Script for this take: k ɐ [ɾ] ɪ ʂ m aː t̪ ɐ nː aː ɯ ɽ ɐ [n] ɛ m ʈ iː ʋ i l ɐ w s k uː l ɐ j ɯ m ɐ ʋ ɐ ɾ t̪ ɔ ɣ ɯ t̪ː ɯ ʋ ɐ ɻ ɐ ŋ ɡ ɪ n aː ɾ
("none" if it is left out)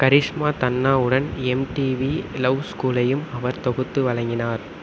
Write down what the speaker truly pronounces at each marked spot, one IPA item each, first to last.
ɾ, n

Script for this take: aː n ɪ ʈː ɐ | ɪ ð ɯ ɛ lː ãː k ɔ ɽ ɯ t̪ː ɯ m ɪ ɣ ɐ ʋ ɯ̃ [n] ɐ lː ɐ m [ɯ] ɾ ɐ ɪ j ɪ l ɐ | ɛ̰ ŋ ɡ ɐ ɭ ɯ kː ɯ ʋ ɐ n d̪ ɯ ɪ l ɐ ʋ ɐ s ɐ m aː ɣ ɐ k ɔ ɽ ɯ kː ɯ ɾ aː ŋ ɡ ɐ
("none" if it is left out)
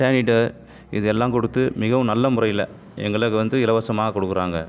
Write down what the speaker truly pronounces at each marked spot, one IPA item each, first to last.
n, ʊ

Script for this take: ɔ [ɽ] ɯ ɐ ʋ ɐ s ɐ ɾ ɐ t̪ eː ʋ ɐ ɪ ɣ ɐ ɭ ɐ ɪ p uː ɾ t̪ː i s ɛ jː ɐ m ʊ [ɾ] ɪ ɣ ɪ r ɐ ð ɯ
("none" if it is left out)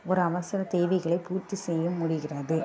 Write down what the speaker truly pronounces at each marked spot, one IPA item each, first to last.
ɾ, ɽ

